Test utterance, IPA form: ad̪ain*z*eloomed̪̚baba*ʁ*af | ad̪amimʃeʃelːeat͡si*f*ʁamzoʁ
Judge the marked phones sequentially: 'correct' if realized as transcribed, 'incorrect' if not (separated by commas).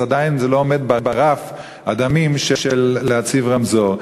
correct, correct, incorrect